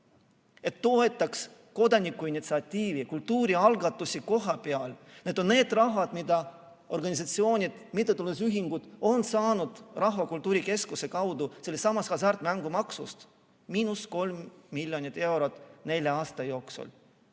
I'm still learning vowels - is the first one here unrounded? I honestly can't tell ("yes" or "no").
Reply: yes